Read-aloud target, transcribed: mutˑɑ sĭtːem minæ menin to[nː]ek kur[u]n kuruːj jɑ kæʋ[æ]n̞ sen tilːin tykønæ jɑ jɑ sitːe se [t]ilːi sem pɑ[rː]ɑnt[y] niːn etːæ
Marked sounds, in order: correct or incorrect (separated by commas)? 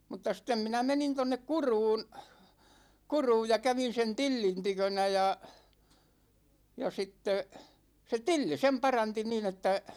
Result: correct, incorrect, incorrect, correct, incorrect, incorrect